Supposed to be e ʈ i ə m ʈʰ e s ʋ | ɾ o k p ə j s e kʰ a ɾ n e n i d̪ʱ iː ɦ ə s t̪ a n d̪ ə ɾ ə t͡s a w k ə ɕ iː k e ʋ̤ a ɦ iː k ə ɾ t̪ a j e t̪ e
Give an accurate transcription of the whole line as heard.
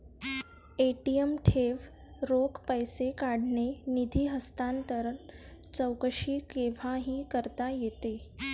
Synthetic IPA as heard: e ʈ i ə m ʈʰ e ʋ | ɾ o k p ə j s e k a ɽ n e n i d̪ʱ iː ɦ ə s t̪ a n t̪ ə ɾ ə t͡s ə w k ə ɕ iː k e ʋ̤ a ɦ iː k ə ɾ t̪ a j e t̪ e